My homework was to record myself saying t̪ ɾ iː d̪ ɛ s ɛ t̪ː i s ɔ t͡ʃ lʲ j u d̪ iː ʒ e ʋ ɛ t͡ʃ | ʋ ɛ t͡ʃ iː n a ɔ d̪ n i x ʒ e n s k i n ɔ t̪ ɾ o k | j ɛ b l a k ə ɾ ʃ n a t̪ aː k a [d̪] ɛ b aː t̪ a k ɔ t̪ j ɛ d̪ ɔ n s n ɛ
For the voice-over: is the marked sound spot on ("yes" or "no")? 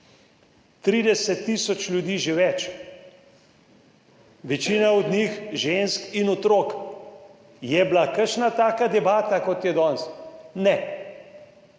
yes